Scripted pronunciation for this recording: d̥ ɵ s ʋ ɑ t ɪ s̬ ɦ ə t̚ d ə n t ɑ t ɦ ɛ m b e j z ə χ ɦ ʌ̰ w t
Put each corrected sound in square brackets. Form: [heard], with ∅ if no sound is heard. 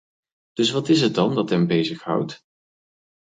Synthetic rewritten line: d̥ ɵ s ʋ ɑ t ɪ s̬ ɦ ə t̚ d [ɑ] n [d] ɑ t ɦ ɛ m b e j z ə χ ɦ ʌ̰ w t